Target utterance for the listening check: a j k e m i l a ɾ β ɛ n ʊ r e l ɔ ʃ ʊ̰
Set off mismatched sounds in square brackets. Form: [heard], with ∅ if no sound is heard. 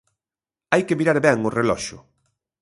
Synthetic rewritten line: a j k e m i [ɾ] a ɾ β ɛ [ŋ] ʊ r e l ɔ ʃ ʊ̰